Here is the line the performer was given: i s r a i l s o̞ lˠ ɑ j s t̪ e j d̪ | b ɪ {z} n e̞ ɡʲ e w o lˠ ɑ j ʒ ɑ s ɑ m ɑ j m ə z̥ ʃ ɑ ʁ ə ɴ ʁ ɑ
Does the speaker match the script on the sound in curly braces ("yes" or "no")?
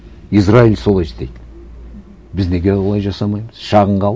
yes